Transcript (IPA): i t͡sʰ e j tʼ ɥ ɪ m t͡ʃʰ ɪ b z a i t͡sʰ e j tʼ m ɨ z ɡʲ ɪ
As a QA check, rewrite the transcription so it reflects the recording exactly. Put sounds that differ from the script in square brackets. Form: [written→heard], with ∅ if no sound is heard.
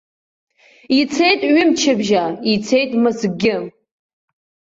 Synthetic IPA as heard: i t͡sʰ e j tʼ ɥ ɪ m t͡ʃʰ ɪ b [z→ʒ] a i t͡sʰ e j tʼ m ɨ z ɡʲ ɪ